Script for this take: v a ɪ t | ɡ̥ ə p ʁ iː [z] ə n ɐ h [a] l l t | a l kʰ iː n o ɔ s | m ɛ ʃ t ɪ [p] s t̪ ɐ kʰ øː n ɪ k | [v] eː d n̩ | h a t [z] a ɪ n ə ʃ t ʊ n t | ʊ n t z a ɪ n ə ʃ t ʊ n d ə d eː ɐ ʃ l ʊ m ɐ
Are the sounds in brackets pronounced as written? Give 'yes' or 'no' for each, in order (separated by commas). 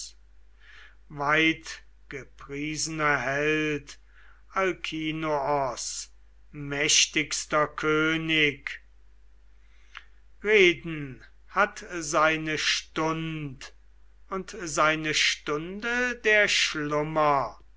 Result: yes, no, no, no, yes